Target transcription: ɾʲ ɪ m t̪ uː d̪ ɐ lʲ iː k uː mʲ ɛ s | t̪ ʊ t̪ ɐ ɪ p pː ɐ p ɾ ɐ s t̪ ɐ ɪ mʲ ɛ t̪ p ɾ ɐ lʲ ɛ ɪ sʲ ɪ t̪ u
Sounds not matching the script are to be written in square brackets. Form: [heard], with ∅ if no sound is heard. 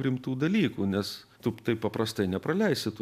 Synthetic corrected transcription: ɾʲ ɪ m t̪ uː d̪ ɐ lʲ iː k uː [nʲ] ɛ s | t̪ ʊ t̪ ɐ ɪ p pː ɐ p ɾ ɐ s t̪ ɐ ɪ [nʲ] ɛ [∅] p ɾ ɐ lʲ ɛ ɪ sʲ ɪ t̪ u